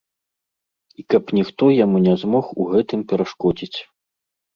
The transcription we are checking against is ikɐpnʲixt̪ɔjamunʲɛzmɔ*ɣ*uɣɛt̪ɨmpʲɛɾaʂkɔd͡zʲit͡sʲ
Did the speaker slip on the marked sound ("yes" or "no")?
yes